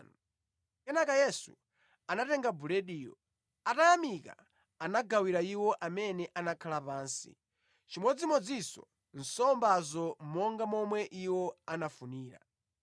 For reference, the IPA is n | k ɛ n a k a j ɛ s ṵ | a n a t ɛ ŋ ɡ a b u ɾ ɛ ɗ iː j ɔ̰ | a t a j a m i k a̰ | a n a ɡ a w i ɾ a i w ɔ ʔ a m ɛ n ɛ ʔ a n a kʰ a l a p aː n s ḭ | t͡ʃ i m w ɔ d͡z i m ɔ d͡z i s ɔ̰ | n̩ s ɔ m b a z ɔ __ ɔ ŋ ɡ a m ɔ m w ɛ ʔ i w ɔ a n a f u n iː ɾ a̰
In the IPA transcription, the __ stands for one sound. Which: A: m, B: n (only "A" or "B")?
A